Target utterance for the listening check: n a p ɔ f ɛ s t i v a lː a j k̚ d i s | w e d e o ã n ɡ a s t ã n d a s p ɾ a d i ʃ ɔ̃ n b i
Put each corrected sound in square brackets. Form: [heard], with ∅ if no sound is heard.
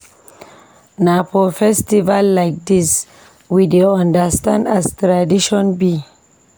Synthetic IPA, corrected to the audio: n a p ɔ f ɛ s t i v a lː a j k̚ d i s | w [i] d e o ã n [d] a s t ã n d a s [t] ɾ a d i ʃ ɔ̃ n b i